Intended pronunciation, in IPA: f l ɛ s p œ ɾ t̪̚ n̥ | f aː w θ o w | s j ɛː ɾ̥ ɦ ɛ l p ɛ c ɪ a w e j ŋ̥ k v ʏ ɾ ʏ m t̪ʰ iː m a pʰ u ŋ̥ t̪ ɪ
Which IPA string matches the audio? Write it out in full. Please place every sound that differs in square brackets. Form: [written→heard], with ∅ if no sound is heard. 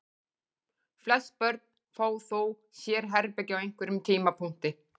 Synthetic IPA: f l ɛ s p œ ɾ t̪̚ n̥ | f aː w θ o w | s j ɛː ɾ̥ ɦ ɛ [l→ɾ] p ɛ c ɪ a w e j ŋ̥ k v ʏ ɾ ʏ m t̪ʰ iː m a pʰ u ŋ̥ t̪ ɪ